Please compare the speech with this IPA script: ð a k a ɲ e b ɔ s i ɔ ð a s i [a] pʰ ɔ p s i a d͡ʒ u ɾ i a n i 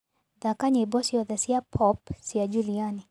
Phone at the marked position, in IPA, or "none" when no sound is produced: a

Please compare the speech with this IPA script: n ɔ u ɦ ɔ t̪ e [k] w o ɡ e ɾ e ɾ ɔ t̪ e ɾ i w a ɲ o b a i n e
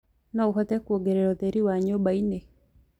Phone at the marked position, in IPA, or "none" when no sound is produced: k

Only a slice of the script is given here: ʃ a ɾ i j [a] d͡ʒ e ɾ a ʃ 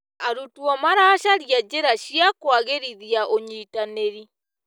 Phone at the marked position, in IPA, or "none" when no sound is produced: a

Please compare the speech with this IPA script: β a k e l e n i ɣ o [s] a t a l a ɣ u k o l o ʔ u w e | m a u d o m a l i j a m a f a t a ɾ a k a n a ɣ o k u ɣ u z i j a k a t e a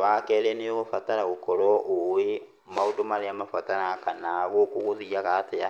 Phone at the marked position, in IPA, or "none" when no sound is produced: f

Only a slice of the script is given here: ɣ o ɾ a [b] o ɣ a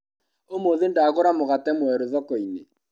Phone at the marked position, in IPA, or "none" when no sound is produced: m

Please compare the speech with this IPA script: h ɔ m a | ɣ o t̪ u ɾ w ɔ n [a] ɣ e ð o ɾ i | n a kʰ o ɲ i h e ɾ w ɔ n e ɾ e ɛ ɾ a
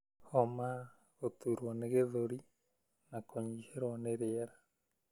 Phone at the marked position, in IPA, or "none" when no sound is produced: e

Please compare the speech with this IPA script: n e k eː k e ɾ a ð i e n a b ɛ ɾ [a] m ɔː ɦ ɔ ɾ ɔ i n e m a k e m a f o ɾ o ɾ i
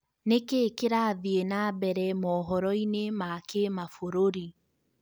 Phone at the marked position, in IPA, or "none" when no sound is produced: ɛ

